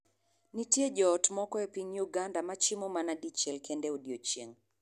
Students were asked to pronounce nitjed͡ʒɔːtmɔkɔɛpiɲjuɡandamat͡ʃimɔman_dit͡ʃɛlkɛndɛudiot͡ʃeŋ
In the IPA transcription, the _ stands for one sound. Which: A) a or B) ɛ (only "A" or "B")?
A